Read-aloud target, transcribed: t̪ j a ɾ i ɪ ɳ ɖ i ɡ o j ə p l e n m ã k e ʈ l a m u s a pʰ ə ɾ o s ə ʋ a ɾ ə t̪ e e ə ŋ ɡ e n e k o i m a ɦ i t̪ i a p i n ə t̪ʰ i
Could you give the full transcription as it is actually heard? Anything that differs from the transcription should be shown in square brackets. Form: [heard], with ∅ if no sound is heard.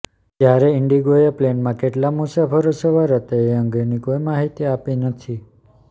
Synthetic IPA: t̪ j a ɾ [e] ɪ ɳ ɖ i ɡ o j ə p l e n m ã k e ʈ l a m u s a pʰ ə ɾ o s ə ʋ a ɾ ə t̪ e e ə ŋ ɡ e n [i] k o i m a ɦ i t̪ i a p i n ə t̪ʰ i